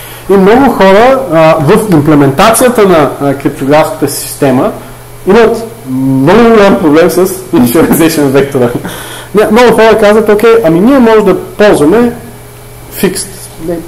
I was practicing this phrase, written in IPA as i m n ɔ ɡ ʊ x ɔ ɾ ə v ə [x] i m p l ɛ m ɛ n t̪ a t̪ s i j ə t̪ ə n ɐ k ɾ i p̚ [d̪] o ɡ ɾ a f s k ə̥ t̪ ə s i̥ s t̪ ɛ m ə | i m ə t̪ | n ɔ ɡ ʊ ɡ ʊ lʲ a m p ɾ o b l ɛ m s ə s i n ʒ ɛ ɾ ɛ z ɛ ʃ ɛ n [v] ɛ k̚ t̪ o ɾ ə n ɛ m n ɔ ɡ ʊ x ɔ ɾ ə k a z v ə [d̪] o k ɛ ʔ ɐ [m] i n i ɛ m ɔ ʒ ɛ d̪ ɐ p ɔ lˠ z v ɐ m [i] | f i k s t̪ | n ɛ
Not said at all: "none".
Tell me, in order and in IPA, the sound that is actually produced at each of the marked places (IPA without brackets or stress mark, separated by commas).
f, t̪, v, t̪, m, ɛ